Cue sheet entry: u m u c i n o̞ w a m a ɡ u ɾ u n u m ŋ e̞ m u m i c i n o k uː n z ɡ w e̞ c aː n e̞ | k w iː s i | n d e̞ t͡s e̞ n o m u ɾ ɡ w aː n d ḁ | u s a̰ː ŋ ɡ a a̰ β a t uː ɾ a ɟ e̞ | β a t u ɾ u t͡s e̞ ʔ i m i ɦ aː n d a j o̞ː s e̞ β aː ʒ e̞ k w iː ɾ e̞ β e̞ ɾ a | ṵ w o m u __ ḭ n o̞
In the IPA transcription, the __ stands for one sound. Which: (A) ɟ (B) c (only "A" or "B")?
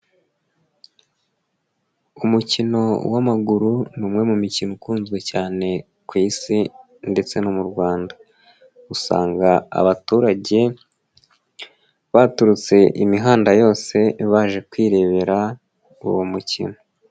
B